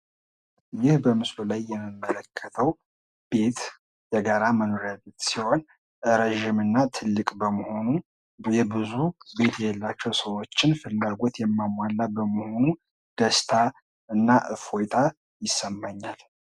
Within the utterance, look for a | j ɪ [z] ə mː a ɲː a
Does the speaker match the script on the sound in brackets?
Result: no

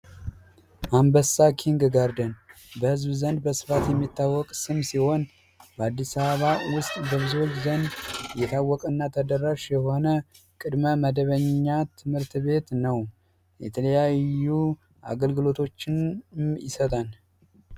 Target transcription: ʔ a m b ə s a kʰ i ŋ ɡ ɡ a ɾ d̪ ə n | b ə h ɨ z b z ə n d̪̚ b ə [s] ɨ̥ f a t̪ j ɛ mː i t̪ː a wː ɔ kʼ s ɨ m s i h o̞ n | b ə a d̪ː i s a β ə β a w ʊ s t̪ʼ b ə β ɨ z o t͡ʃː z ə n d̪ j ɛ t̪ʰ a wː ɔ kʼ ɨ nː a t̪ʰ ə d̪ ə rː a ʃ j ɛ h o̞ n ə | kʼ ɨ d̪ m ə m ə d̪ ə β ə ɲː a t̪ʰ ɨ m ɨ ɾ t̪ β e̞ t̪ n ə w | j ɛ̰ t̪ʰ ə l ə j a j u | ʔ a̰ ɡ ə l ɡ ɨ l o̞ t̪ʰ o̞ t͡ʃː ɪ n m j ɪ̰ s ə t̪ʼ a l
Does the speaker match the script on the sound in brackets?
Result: yes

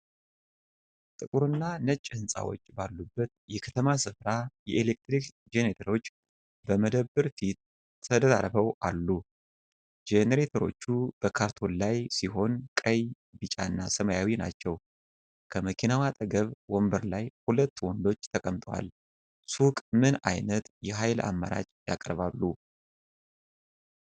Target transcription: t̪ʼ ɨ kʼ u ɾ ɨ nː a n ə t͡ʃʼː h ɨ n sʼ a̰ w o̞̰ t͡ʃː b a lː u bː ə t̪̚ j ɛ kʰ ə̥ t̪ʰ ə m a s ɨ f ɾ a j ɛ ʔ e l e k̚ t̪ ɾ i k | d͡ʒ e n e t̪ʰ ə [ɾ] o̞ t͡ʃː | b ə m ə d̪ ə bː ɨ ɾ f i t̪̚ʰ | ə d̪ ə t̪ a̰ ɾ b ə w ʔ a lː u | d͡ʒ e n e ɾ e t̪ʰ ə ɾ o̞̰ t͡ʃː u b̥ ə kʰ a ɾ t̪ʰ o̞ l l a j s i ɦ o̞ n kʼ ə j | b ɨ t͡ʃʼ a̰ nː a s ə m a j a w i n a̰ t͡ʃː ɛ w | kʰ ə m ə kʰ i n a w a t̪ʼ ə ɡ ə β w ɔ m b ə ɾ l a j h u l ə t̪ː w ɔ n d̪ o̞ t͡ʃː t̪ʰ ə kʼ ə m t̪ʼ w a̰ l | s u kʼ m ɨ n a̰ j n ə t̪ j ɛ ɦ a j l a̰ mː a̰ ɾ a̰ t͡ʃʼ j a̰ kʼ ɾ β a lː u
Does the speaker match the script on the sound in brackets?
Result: yes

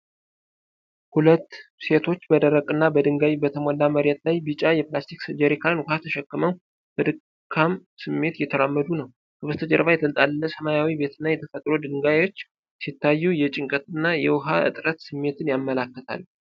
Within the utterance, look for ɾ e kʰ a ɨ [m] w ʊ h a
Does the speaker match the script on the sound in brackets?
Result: no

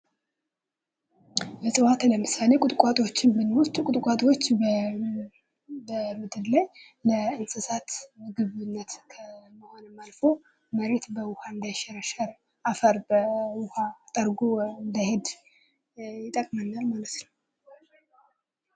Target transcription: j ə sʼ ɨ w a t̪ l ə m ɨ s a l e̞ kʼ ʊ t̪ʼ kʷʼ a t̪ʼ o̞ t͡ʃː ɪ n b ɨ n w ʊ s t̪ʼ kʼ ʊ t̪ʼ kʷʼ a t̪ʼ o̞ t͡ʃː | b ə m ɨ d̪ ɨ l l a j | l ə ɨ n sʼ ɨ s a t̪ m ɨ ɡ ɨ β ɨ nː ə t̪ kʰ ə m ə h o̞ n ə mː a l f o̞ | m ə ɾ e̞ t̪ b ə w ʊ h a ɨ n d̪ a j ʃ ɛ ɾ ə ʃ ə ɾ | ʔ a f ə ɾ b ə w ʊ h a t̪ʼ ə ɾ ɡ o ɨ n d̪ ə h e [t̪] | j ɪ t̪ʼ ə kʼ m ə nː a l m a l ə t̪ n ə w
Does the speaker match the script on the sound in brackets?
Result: no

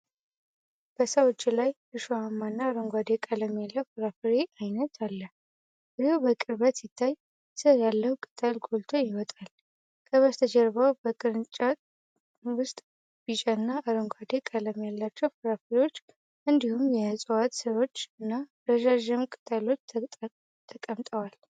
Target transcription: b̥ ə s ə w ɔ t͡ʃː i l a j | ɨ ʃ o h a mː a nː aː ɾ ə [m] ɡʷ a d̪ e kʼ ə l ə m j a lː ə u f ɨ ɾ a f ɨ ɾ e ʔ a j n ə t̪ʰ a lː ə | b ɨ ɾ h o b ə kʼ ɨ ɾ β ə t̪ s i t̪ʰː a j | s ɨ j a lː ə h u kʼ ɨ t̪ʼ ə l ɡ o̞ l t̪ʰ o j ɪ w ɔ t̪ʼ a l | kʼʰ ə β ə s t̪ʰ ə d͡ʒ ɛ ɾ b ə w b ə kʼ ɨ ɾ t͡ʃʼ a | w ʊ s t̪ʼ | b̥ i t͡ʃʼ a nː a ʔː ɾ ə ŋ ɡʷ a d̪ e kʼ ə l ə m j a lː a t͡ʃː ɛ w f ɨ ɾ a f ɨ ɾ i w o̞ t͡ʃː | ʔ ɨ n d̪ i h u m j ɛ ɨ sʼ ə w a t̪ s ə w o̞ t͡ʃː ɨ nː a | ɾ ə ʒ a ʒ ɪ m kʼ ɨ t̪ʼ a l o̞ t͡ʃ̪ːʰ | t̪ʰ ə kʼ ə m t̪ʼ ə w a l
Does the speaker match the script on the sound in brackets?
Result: no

